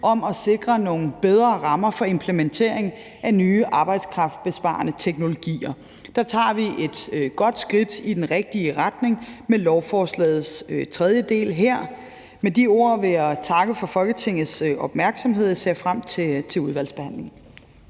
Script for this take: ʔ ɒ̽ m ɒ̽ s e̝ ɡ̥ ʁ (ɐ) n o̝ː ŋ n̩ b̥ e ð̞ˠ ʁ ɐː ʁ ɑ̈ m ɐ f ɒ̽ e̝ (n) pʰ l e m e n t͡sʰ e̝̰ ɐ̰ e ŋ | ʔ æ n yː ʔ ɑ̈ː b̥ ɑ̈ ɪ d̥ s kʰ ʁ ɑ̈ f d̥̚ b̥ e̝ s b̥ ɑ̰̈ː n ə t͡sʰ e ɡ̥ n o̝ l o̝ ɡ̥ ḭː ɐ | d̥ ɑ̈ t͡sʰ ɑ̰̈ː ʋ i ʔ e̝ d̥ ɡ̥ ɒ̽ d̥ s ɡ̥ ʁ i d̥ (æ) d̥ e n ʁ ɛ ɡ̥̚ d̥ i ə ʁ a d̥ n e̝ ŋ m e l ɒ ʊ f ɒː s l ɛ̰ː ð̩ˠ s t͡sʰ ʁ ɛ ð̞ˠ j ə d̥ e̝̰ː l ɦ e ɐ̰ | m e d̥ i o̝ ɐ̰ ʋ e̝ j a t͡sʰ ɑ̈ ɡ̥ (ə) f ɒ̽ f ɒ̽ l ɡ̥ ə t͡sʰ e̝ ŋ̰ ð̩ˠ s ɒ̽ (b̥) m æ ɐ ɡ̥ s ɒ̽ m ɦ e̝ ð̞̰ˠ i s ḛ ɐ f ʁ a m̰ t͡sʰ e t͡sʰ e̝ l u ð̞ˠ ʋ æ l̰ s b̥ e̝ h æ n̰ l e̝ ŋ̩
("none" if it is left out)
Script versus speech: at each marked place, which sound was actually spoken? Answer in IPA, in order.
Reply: ɐ, m, i, ə, b̥

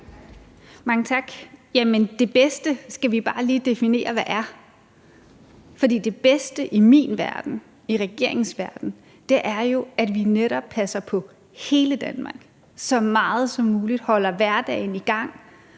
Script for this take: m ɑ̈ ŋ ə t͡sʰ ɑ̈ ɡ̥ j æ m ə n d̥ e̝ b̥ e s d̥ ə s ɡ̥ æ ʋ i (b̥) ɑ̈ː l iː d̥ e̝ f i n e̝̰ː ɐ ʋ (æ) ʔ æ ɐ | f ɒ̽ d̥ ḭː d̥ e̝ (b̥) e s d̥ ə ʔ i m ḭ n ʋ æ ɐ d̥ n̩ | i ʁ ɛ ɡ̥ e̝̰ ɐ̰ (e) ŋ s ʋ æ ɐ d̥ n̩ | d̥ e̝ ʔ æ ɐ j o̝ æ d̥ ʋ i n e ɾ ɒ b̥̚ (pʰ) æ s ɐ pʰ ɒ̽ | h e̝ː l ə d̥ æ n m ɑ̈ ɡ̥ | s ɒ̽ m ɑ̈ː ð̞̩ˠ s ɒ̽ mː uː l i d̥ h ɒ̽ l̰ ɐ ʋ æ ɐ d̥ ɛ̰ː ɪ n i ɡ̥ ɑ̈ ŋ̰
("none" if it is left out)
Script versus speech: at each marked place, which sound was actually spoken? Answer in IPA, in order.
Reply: b̥, æ, b̥, e, pʰ

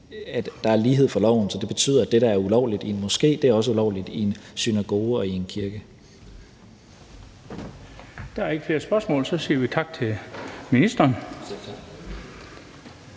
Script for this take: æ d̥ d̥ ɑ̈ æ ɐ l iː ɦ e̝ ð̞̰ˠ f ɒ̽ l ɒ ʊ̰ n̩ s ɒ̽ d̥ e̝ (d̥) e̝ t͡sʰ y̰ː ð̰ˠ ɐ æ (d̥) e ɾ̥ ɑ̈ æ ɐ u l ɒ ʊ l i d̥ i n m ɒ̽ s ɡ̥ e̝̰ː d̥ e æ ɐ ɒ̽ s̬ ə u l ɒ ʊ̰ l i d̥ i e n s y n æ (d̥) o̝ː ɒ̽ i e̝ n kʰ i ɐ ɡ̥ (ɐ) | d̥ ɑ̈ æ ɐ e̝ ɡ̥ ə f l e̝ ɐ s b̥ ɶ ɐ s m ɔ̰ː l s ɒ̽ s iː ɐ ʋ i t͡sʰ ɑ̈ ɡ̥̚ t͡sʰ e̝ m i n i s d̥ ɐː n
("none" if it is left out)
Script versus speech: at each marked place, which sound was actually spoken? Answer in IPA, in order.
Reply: b̥, d̥, ɡ̥, ə

